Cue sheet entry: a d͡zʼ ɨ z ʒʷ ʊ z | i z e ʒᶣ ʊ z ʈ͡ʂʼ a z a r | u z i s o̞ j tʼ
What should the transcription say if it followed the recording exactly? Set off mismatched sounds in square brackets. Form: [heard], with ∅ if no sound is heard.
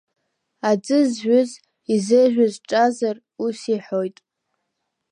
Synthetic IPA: a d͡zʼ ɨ z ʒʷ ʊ z | i z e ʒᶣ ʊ z ʈ͡ʂʼ a z a r | u [s] i [ħ] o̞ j tʼ